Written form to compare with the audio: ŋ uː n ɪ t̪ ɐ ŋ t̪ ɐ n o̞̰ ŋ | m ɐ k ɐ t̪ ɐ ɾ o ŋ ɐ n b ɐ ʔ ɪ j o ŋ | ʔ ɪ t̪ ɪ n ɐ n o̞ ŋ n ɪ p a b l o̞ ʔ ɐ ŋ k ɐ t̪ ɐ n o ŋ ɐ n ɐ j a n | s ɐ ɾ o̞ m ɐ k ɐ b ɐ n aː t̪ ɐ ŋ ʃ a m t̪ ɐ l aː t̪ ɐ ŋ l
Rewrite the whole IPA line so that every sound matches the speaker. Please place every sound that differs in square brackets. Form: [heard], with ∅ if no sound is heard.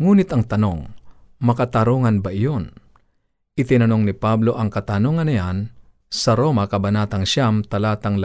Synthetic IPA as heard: ŋ uː n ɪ t̪ ɐ ŋ t̪ ɐ n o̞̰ ŋ | m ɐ k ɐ t̪ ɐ ɾ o ŋ ɐ n b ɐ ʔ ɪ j o [n] | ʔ ɪ t̪ ɪ n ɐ n o̞ ŋ n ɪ p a b l o̞ ʔ ɐ ŋ k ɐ t̪ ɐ n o ŋ ɐ n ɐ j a n | s ɐ ɾ o̞ m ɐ k ɐ b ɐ n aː t̪ ɐ ŋ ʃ a m t̪ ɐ l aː t̪ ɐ ŋ l